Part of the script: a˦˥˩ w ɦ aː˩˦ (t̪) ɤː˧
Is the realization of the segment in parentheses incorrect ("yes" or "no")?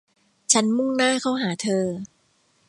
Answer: yes